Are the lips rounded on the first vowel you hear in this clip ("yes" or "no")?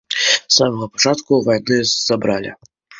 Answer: no